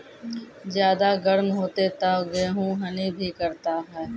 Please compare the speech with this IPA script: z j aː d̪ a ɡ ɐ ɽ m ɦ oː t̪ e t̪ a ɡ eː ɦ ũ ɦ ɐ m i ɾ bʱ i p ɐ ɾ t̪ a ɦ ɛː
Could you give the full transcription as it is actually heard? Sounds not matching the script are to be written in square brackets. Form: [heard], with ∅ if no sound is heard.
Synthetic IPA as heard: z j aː d̪ a ɡ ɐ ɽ m ɦ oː t̪ e t̪ a ɡ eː ɦ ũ ɦ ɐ [n] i [∅] bʱ i [k] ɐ ɾ t̪ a ɦ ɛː